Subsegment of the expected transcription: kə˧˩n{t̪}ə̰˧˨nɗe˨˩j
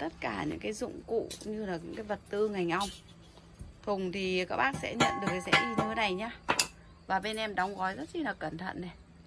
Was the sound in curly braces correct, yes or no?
no